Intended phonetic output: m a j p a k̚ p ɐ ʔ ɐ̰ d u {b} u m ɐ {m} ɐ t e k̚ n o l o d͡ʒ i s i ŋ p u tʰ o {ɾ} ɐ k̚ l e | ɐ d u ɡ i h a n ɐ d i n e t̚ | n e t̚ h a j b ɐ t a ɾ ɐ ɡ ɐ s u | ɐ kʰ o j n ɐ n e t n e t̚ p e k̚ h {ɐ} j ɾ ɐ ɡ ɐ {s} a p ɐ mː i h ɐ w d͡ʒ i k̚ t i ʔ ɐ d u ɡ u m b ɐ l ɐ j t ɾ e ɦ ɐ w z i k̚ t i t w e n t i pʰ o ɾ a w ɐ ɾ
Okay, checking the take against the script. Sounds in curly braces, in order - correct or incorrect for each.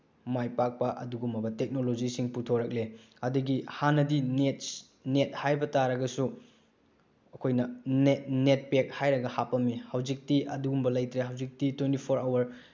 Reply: incorrect: ɡ, incorrect: b, correct, incorrect: a, incorrect: h

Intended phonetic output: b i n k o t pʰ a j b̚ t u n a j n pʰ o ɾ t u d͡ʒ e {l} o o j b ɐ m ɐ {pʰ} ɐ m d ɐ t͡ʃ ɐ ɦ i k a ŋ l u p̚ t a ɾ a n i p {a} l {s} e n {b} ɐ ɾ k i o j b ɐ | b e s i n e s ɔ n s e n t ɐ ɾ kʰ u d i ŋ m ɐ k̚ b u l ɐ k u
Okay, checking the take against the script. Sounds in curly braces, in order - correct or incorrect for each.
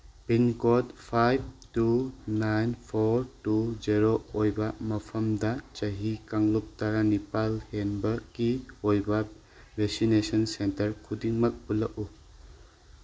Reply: incorrect: ɾ, correct, correct, incorrect: h, correct

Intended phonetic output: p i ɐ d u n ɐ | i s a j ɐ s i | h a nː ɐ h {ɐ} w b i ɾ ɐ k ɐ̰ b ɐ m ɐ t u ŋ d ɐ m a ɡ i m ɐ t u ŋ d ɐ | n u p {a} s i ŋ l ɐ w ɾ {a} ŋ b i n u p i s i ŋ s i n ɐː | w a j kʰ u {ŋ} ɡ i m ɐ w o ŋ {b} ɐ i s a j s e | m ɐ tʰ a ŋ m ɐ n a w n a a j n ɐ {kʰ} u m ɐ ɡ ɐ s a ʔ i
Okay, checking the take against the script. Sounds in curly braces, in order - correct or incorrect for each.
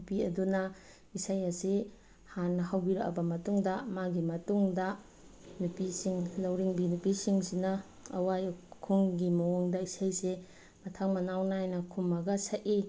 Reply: incorrect: a, incorrect: i, incorrect: i, correct, incorrect: d, correct

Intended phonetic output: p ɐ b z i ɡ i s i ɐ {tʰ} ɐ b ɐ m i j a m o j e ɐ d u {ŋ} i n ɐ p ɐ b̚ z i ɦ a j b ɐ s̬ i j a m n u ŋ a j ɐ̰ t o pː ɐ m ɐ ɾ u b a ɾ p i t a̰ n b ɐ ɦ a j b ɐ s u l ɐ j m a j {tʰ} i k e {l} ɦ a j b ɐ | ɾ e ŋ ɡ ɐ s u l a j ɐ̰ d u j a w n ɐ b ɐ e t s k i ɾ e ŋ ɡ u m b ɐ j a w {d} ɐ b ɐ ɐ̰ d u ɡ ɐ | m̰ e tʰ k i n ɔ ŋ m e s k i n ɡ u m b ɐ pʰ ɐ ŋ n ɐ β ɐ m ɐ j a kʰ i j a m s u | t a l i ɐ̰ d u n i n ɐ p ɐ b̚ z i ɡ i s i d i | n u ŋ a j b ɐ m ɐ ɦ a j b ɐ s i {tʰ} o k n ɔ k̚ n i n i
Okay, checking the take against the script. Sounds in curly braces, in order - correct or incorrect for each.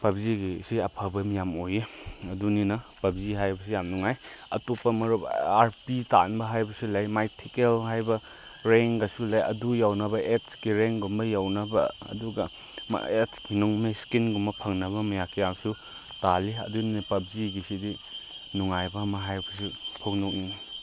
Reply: incorrect: pʰ, incorrect: n, correct, correct, incorrect: n, incorrect: pʰ

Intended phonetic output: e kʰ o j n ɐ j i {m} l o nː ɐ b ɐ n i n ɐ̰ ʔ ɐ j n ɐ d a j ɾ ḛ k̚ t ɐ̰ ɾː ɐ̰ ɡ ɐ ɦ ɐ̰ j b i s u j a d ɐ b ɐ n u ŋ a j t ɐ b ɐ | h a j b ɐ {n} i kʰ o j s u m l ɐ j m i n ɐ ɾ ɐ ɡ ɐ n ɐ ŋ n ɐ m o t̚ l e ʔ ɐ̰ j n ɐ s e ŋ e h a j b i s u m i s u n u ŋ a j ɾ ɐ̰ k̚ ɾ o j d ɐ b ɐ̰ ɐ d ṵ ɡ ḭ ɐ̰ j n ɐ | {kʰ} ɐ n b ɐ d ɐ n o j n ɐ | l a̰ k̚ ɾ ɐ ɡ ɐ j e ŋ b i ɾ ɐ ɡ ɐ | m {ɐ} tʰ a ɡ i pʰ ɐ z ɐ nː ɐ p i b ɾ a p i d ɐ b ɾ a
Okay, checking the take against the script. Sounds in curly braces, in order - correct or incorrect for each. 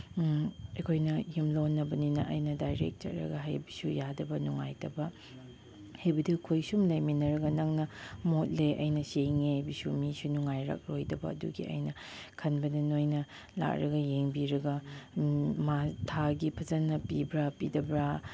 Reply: correct, incorrect: d, correct, incorrect: a

